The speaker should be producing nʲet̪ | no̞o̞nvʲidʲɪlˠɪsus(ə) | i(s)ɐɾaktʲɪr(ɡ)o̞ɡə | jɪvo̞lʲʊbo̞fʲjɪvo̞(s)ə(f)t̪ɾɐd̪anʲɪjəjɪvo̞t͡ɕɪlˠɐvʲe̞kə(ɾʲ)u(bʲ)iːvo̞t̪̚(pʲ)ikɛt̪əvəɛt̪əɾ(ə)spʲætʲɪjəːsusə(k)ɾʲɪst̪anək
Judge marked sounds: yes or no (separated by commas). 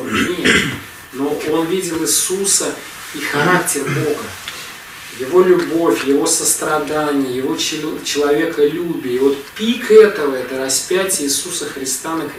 yes, no, no, yes, no, no, yes, yes, no, no